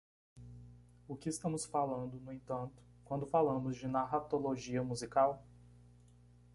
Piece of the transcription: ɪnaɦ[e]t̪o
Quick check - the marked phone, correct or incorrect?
incorrect